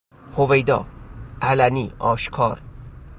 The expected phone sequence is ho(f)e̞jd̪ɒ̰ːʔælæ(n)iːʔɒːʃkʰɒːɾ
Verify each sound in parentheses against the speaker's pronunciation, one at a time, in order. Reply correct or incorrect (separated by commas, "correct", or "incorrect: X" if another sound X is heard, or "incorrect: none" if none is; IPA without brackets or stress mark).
incorrect: v, correct